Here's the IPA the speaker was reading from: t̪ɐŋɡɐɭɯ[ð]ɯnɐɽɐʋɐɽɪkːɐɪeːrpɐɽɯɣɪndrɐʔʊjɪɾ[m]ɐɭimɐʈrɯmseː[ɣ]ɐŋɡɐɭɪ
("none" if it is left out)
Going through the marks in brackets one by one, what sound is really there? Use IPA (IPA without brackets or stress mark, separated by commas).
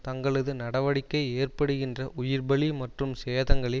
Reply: ð, b, ð